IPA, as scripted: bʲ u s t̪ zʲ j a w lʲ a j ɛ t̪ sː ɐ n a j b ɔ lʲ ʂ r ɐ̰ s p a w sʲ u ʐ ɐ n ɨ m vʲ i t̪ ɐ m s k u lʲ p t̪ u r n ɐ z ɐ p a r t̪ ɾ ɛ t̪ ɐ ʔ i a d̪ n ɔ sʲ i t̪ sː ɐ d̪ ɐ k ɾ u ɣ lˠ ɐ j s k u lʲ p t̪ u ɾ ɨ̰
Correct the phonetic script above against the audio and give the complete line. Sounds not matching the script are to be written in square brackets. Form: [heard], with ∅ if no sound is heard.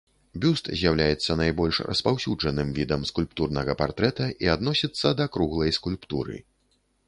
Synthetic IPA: bʲ u s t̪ zʲ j a w lʲ a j ɛ t̪ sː ɐ n a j b ɔ lʲ ʂ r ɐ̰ s p a w sʲ u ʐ ɐ n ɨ m vʲ i [d̪] ɐ m s k u lʲ p t̪ u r n ɐ [ɣ] ɐ p a r t̪ ɾ ɛ t̪ ɐ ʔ i a d̪ n ɔ sʲ i t̪ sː ɐ d̪ ɐ k ɾ u ɣ lˠ ɐ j s k u lʲ p t̪ u ɾ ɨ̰